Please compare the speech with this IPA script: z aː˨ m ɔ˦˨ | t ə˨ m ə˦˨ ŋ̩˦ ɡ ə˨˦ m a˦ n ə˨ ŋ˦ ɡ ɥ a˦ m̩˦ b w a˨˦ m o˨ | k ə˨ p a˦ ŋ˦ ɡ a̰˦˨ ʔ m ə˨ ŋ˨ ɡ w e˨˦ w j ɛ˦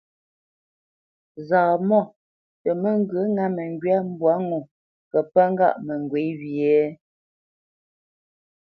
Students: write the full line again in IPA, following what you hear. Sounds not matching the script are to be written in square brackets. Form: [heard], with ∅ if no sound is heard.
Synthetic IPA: z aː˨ m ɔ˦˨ | t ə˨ m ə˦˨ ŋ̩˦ ɡ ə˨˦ [ŋ] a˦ [m] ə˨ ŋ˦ ɡ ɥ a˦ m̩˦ b w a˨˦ [ŋ] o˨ | k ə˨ p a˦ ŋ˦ ɡ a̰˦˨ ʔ m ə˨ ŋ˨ ɡ w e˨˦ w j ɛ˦